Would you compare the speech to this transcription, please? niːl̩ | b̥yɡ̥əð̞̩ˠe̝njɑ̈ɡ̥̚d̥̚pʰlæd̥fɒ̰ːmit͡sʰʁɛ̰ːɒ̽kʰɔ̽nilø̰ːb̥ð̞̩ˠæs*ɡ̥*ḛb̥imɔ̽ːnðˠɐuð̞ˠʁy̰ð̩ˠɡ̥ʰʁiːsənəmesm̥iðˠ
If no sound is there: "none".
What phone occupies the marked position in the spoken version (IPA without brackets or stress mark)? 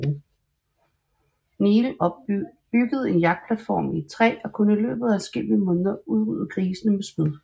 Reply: ɡ̥